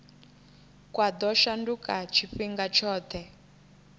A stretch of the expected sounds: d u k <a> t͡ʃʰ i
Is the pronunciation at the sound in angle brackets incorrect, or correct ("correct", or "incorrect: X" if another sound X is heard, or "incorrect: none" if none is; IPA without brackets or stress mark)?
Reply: correct